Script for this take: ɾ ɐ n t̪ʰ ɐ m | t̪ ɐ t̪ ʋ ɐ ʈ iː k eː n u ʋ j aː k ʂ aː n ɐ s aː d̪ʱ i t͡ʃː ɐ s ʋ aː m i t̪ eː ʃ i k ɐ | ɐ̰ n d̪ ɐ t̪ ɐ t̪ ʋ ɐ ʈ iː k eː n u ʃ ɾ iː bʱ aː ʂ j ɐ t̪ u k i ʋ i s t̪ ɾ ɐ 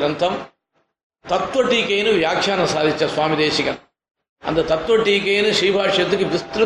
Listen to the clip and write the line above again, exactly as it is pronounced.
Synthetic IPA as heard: ɾ ɐ n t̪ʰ ɐ m | t̪ ɐ t̪ ʋ ɐ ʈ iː k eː n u ʋ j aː k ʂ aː n ɐ s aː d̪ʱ i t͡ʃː ɐ s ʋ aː m i d̪ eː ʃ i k ɐ | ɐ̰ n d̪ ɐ t̪ ɐ t̪ ʋ ɐ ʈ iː k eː n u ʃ ɾ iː bʱ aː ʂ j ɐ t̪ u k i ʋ i s t̪ ɾ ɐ